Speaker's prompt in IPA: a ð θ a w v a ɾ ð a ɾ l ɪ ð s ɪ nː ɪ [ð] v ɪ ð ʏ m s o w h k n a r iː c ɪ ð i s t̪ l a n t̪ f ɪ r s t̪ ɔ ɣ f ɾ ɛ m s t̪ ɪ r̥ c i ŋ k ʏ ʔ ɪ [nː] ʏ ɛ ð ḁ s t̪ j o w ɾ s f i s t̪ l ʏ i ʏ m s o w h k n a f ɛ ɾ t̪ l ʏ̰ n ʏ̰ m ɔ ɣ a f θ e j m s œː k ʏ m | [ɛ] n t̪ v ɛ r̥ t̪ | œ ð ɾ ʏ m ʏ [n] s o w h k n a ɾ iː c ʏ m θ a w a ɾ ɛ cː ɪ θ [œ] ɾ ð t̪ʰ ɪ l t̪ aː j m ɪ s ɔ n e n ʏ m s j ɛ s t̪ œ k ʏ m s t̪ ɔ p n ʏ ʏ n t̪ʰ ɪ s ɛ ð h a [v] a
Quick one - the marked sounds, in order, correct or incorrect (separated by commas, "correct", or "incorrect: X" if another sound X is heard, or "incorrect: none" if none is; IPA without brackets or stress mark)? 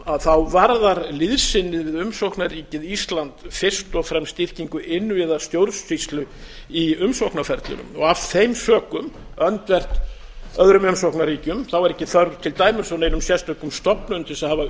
correct, correct, incorrect: œ, incorrect: m, correct, correct